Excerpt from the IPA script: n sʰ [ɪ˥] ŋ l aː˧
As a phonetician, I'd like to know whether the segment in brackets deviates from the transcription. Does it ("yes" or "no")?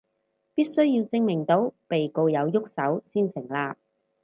yes